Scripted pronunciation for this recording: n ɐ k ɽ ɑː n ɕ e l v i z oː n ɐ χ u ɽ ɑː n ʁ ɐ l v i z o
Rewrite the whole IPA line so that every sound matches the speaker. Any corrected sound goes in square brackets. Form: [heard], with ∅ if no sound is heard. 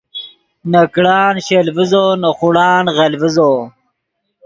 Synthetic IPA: n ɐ k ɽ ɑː n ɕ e l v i z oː n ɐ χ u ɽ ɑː n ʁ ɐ l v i z o